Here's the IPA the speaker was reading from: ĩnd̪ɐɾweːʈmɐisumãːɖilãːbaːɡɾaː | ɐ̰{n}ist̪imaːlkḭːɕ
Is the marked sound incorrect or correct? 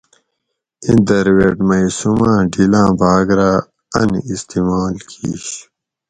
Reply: correct